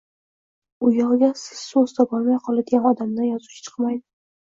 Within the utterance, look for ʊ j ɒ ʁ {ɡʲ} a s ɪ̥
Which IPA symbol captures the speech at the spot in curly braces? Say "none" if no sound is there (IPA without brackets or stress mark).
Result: ɡʲ